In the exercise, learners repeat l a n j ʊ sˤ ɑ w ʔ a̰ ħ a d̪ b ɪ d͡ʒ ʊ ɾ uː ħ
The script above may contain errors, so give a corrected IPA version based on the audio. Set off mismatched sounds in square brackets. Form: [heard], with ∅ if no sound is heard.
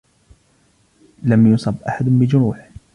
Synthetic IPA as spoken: l a [m] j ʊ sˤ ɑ [b] ʔ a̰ ħ a d̪ b ɪ d͡ʒ ʊ ɾ uː ħ